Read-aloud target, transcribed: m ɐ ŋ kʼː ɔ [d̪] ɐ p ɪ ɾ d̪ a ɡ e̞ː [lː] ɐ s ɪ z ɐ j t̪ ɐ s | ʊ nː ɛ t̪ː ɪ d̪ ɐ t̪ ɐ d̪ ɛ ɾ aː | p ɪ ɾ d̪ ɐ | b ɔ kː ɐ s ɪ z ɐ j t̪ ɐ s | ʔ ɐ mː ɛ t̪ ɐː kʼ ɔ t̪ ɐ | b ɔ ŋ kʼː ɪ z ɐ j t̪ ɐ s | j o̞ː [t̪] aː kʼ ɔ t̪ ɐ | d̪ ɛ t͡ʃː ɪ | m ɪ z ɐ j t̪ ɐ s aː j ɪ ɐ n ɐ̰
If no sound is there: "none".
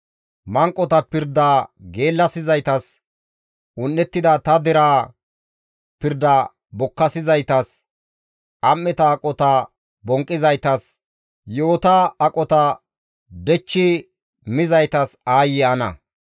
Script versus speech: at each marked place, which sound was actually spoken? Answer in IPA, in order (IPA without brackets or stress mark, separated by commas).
t̪, lː, t̪